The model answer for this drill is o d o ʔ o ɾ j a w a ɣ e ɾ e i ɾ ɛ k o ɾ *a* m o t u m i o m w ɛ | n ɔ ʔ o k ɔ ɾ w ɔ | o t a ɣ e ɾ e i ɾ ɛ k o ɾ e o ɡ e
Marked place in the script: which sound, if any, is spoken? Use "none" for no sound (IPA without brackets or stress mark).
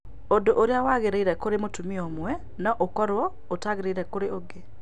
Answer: e